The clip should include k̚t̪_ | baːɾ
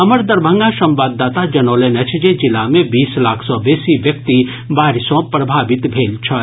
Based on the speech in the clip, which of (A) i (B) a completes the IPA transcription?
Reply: A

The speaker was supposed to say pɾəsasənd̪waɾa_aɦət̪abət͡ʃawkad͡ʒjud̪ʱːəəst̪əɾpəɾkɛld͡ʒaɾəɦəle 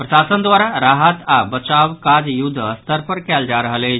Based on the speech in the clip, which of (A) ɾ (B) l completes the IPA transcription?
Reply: A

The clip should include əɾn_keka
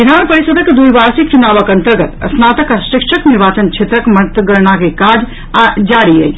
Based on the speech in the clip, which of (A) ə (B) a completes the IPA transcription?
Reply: B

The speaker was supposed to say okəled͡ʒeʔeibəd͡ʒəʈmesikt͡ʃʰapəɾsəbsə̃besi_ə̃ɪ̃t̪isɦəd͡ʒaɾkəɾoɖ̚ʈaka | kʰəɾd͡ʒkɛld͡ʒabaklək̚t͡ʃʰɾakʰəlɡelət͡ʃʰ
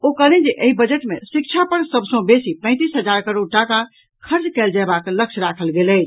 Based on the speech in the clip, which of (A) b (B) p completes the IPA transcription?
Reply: B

